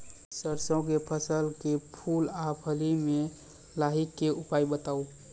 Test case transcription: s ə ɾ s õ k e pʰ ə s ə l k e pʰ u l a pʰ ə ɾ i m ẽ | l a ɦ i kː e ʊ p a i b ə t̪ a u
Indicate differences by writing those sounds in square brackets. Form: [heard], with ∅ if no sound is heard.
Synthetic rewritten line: s ə ɾ s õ k e pʰ ə s ə l k e pʰ u l a pʰ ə [l] i m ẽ | l a ɦ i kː e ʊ p a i b ə t̪ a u